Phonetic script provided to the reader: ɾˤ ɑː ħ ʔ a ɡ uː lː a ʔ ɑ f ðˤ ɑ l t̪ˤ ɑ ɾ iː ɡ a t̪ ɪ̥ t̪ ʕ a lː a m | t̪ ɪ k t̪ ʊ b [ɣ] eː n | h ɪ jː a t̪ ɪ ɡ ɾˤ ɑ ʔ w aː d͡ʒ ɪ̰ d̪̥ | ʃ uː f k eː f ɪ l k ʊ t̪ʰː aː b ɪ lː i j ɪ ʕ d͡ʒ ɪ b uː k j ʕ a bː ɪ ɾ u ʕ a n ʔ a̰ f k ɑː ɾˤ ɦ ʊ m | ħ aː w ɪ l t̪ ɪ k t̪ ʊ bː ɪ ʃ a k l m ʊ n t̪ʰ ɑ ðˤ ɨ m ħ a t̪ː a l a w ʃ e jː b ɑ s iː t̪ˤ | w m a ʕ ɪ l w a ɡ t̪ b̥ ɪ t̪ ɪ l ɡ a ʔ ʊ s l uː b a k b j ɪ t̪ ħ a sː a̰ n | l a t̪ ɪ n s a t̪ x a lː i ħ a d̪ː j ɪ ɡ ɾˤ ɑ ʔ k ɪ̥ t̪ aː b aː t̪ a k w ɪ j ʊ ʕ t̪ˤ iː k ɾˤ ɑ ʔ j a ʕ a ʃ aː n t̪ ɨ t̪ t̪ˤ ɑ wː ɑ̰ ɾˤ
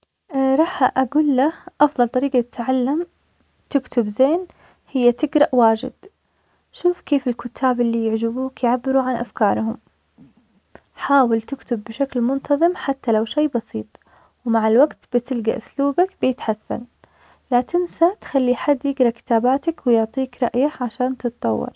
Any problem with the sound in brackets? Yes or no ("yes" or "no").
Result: yes